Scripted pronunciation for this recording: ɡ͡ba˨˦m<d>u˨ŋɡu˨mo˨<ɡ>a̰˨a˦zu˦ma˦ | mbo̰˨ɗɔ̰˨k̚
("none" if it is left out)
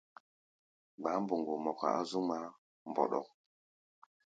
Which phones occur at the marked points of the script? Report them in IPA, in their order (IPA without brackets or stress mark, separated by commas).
b, k